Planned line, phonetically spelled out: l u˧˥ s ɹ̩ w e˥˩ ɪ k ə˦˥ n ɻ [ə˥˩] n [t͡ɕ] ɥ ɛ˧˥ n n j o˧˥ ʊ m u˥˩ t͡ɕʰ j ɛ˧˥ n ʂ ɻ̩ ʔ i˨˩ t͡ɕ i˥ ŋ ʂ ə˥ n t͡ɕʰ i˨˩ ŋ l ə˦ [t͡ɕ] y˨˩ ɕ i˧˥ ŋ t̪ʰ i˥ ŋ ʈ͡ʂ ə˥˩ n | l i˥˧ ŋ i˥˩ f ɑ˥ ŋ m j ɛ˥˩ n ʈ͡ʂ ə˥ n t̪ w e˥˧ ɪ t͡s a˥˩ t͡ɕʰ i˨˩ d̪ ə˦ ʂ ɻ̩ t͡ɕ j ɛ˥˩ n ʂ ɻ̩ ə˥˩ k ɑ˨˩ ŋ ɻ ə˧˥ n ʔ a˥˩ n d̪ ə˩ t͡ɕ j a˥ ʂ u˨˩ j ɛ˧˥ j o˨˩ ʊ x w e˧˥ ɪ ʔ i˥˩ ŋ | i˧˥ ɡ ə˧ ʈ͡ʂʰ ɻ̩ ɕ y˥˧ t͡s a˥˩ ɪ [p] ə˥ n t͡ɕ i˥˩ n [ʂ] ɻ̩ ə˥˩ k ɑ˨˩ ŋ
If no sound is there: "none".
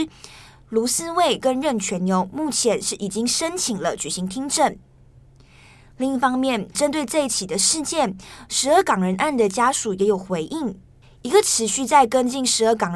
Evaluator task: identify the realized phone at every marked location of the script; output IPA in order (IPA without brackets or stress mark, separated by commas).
ə˥˩, t͡ɕʰ, t͡ɕ, k, ʂ